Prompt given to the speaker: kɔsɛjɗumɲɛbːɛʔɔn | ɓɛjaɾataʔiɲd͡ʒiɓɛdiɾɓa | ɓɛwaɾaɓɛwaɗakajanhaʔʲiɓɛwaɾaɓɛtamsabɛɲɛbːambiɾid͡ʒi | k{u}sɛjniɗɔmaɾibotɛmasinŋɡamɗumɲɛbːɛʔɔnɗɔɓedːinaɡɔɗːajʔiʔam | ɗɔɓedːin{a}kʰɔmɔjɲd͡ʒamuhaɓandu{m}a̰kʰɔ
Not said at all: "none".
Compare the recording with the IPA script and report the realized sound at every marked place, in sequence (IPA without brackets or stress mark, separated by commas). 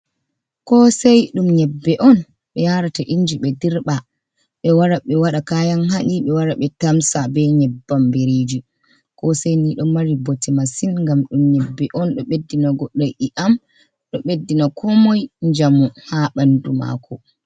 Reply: ɔ, a, m